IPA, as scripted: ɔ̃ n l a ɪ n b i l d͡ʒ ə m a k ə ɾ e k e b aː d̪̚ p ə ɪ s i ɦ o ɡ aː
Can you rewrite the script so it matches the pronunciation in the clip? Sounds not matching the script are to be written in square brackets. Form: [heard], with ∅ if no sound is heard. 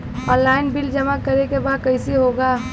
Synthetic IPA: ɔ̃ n l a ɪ n b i l d͡ʒ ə m a k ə ɾ e k e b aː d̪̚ [k] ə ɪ s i ɦ o ɡ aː